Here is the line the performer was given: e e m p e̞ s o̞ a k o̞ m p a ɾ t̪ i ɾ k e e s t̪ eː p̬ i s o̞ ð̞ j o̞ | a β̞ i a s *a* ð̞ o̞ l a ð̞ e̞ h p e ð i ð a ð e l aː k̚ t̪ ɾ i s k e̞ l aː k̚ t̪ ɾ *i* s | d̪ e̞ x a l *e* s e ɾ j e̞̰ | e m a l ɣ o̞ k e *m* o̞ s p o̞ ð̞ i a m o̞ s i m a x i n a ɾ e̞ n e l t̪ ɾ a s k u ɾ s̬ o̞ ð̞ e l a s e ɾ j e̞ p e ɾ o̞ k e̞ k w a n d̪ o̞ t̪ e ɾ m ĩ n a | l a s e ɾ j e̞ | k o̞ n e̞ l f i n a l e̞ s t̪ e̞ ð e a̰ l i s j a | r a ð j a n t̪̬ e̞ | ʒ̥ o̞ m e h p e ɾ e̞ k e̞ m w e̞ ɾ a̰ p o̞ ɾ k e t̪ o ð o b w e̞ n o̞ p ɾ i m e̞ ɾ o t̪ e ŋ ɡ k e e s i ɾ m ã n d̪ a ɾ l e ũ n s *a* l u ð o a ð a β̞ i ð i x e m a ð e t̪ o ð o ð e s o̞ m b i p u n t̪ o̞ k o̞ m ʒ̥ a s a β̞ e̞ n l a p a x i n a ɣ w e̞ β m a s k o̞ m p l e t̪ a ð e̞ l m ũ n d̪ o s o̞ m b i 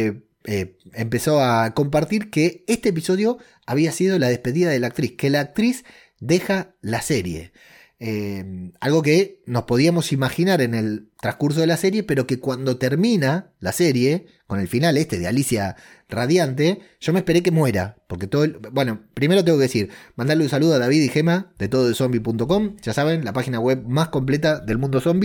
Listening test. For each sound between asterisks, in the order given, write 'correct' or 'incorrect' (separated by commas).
incorrect, correct, incorrect, incorrect, correct